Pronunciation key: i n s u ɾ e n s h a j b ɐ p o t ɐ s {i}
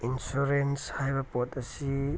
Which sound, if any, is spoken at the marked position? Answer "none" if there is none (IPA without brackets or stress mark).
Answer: i